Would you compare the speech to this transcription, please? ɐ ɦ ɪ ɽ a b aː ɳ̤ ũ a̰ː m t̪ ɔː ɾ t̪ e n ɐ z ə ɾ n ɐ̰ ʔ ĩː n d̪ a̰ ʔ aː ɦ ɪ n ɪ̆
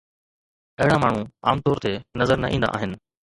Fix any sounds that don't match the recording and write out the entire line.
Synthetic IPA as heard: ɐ ɦ ɪ ɽ a m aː ɳ̤ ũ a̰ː m t̪ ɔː ɾ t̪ e n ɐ z ə ɾ n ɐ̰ ʔ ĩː n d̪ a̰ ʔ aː ɦ ɪ n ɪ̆